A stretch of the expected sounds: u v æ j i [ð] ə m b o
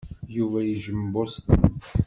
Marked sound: incorrect: ʒ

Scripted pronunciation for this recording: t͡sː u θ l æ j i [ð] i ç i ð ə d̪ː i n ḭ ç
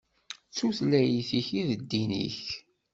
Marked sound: incorrect: θ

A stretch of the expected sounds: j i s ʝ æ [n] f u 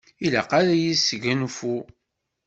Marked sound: correct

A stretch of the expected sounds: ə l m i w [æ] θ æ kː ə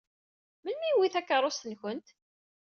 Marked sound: incorrect: i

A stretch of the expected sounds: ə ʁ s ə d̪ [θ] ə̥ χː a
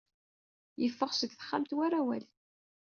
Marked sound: correct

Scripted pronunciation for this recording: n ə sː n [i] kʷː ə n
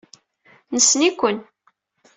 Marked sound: correct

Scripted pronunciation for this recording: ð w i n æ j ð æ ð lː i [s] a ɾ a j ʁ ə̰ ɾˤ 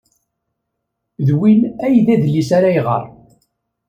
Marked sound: correct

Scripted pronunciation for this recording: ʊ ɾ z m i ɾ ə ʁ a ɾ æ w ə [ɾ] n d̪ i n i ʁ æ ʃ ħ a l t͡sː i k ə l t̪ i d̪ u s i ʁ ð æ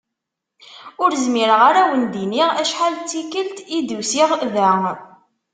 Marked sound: incorrect: none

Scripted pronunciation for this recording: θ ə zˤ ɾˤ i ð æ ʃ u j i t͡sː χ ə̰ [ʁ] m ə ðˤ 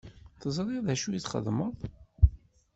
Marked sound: incorrect: ð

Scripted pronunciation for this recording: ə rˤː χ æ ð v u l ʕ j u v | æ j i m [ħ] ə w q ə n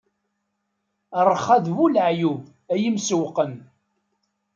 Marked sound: incorrect: s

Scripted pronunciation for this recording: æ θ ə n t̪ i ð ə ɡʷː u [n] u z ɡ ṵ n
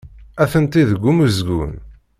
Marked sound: incorrect: m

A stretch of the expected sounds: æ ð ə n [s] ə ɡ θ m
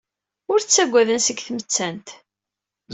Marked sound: correct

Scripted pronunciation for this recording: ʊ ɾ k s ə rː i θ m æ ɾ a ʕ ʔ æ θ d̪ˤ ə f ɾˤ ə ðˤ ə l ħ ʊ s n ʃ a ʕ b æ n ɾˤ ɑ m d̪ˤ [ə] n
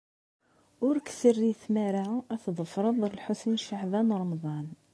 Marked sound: incorrect: ɑ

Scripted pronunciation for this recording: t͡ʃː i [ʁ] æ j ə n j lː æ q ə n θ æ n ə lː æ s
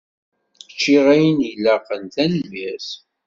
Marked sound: correct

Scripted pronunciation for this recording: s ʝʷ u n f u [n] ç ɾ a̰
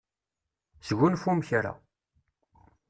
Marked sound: incorrect: m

